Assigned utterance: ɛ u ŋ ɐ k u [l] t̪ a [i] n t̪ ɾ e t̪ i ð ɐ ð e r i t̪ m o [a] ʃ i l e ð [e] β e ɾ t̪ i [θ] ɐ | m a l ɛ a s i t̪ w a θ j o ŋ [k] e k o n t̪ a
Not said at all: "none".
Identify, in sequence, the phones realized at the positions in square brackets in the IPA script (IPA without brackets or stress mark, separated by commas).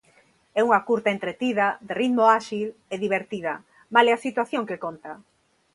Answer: ɾ, e, a, i, ð, k